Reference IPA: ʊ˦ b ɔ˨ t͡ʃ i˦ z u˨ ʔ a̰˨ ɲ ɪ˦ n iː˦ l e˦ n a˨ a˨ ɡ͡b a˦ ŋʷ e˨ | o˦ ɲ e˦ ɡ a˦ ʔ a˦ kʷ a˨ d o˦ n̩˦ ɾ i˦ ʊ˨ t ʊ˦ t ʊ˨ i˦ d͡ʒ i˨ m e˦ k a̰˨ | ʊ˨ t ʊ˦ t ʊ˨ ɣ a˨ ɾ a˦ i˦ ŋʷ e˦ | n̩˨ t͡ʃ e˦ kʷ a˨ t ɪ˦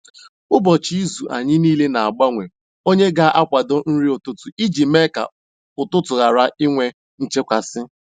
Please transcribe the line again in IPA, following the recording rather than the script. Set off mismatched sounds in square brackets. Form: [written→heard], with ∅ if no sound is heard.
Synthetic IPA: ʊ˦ b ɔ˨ t͡ʃ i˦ z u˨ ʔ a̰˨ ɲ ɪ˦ n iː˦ l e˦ n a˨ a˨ ɡ͡b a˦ ŋʷ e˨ | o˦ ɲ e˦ ɡ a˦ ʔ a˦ kʷ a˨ d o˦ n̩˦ ɾ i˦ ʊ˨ t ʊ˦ t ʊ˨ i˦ d͡ʒ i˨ m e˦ k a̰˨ | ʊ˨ t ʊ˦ t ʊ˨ ɣ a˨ ɾ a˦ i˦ ŋʷ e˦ | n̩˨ t͡ʃ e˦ kʷ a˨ [t→s] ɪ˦